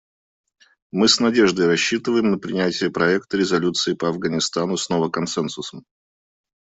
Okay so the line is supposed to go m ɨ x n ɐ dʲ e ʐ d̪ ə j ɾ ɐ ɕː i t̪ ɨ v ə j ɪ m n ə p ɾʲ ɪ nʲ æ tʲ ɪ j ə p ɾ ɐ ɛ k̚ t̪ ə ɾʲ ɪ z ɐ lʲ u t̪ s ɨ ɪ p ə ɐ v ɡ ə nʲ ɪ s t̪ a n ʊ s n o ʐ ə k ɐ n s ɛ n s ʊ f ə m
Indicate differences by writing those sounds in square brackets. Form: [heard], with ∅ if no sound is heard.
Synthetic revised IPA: m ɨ [s] n ɐ dʲ e ʐ d̪ ə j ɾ ɐ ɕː i t̪ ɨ v ə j ɪ m n ə p ɾʲ ɪ nʲ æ tʲ ɪ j ə p ɾ ɐ ɛ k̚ t̪ ə ɾʲ ɪ z ɐ lʲ u t̪ s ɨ ɪ p ə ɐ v ɡ ə nʲ ɪ s t̪ a n ʊ s n o [v] ə k ɐ n s ɛ n s ʊ [s] ə m